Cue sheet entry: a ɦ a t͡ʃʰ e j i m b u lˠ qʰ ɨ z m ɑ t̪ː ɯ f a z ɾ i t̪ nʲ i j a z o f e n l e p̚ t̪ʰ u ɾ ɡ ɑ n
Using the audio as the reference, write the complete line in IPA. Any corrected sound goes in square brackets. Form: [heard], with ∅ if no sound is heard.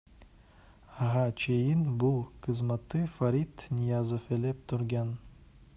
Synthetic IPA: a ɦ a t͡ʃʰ e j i [n] b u lˠ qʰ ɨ z m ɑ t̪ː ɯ f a [∅] ɾ i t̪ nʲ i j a z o f e [∅] l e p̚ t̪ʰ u ɾ ɡ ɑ n